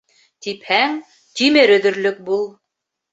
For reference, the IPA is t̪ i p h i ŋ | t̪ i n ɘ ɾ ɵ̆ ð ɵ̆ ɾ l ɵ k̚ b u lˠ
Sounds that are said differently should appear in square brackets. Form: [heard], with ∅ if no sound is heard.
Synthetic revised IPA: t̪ i p h [æ] ŋ | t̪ i [m] ɘ ɾ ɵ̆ ð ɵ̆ ɾ l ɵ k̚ b u lˠ